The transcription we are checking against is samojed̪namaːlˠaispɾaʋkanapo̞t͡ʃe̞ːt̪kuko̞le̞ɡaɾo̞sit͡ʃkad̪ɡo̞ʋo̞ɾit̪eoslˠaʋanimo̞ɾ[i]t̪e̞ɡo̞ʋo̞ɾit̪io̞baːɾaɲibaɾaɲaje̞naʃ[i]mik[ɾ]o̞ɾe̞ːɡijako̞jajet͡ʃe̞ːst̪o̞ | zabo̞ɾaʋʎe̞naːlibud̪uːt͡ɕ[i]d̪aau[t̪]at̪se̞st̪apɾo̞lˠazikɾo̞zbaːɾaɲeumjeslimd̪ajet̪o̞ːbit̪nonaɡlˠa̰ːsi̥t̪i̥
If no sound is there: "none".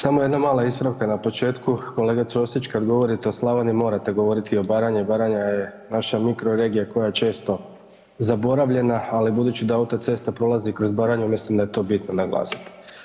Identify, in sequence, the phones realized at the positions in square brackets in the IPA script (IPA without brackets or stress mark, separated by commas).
a, a, ɾ, i, t̪